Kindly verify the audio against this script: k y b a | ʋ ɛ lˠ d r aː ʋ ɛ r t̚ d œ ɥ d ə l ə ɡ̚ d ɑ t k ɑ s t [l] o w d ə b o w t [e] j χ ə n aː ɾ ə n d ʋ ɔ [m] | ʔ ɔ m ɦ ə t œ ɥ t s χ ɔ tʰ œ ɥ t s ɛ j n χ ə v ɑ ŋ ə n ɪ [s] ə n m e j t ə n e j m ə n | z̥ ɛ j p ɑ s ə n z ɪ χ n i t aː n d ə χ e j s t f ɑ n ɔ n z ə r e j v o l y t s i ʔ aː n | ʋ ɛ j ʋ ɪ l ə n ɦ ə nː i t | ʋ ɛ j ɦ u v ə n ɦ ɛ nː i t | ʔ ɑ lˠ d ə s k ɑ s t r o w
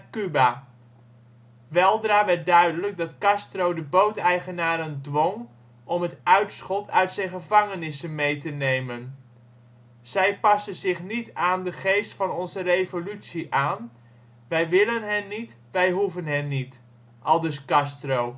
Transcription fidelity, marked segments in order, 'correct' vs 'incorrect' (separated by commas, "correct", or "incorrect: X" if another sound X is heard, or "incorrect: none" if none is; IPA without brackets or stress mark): incorrect: r, incorrect: ɛ, incorrect: ŋ, correct